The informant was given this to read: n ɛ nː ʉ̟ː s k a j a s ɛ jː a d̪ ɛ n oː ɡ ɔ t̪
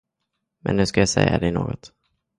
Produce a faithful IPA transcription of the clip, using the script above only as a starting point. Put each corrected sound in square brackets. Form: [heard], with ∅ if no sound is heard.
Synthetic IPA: [m] ɛ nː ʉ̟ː s k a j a s ɛ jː a d̪ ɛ n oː ɡ ɔ t̪